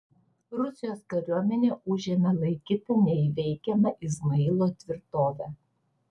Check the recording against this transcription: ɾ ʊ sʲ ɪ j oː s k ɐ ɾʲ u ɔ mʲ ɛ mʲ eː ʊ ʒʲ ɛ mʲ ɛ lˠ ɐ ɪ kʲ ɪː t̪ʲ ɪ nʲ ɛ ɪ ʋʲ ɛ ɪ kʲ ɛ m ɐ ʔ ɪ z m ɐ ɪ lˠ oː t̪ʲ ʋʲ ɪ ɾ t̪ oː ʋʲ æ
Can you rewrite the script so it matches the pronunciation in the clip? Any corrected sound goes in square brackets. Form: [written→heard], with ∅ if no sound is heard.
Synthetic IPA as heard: ɾ ʊ sʲ ɪ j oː s k ɐ ɾʲ u ɔ mʲ ɛ [mʲ→nʲ] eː ʊ ʒʲ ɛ mʲ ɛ lˠ ɐ ɪ kʲ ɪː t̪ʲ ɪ nʲ ɛ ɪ ʋʲ ɛ ɪ kʲ ɛ m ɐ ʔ ɪ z m ɐ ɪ lˠ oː t̪ʲ ʋʲ ɪ ɾ t̪ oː ʋʲ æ

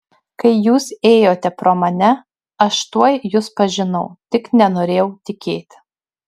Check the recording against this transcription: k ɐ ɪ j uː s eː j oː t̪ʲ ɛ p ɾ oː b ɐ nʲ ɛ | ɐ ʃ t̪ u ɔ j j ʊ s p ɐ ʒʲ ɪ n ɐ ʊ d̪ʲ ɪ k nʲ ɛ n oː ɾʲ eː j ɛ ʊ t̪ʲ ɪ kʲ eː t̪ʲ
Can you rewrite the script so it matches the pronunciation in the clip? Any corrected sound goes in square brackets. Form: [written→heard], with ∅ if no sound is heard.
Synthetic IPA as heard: k ɐ ɪ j uː s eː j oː t̪ʲ ɛ p ɾ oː [b→m] ɐ nʲ ɛ | ɐ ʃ t̪ u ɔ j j ʊ s p ɐ ʒʲ ɪ n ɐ ʊ [d̪ʲ→t̪ʲ] ɪ k nʲ ɛ n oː ɾʲ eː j ɛ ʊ t̪ʲ ɪ kʲ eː t̪ʲ

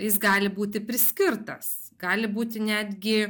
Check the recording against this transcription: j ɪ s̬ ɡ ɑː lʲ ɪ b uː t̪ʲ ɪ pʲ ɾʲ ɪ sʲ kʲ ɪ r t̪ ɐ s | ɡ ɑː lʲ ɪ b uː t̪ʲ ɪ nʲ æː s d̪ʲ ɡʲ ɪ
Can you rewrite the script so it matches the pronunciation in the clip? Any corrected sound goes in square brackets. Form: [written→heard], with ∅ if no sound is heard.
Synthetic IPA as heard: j ɪ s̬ ɡ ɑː lʲ ɪ b uː t̪ʲ ɪ pʲ ɾʲ ɪ sʲ kʲ ɪ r t̪ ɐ s | ɡ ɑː lʲ ɪ b uː t̪ʲ ɪ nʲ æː [s→∅] d̪ʲ ɡʲ ɪ

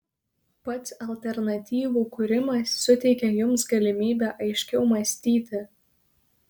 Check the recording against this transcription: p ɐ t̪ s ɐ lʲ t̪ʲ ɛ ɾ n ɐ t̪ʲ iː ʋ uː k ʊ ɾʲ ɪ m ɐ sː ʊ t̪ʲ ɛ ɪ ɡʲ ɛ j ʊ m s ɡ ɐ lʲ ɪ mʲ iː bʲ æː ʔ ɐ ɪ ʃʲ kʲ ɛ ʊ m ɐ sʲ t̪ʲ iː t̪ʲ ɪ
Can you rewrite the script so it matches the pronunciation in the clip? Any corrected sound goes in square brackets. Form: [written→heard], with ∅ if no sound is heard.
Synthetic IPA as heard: p ɐ t̪ s ɐ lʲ t̪ʲ ɛ ɾ n ɐ t̪ʲ iː ʋ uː k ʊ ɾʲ ɪ m ɐ sː ʊ t̪ʲ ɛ ɪ [ɡʲ→kʲ] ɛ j ʊ m s ɡ ɐ lʲ ɪ mʲ iː bʲ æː ʔ ɐ ɪ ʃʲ kʲ ɛ ʊ m ɐ sʲ t̪ʲ iː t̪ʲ ɪ

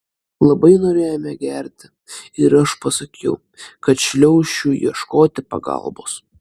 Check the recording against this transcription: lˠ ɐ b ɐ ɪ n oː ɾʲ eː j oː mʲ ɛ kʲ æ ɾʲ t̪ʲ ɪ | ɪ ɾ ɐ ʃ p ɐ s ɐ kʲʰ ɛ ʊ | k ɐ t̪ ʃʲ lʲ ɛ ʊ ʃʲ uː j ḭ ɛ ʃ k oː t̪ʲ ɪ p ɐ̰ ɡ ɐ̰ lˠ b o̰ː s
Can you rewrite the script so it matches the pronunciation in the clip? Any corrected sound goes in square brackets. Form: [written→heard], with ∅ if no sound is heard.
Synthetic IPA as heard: lˠ ɐ b ɐ ɪ n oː ɾʲ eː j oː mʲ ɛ [kʲ→ɡʲ] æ ɾʲ t̪ʲ ɪ | ɪ ɾ ɐ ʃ p ɐ s ɐ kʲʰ ɛ ʊ | k ɐ t̪ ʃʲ lʲ ɛ ʊ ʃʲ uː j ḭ ɛ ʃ k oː t̪ʲ ɪ p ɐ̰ ɡ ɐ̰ lˠ b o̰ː s

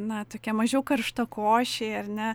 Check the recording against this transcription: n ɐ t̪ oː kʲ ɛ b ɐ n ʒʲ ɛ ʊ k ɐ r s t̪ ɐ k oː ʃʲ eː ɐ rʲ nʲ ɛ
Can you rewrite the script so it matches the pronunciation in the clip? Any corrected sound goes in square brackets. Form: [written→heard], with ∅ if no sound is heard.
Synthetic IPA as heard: n ɐ t̪ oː kʲ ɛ [b→m] ɐ [n→∅] ʒʲ ɛ ʊ k ɐ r [s→ʃ] t̪ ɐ k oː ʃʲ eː ɐ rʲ nʲ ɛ

